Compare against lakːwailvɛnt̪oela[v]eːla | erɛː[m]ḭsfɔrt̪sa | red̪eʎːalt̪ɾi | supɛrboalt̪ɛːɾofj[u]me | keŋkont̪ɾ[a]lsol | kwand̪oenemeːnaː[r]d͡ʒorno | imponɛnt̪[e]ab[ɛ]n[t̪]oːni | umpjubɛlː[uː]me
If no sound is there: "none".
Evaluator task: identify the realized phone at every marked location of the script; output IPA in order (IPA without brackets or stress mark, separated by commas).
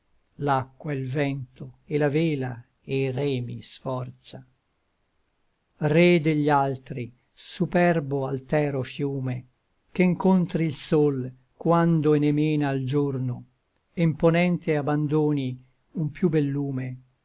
v, m, uː, i, l, e, a, d̪, uː